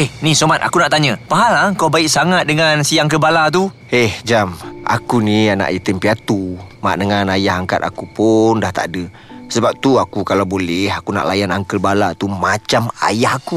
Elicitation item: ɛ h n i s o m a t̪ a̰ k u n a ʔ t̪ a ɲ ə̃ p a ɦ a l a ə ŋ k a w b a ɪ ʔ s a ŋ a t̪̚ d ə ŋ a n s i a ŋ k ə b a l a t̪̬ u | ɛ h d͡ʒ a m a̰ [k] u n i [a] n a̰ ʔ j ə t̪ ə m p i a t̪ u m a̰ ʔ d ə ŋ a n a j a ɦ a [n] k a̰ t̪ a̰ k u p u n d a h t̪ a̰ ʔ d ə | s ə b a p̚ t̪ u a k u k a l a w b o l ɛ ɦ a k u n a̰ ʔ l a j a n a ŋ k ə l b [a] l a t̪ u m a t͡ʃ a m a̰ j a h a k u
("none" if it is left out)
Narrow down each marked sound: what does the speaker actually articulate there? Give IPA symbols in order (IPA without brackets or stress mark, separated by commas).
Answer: k, a, ŋ, a